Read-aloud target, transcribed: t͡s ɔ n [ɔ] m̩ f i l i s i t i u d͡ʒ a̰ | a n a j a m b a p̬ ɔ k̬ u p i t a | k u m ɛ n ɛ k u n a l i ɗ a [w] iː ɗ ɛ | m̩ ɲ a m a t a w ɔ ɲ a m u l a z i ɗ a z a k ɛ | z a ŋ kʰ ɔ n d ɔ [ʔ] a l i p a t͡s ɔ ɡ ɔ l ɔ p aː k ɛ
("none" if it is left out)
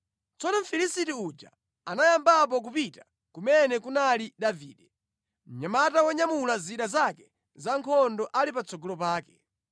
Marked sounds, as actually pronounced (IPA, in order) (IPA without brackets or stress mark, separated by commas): ɔ, v, ʔ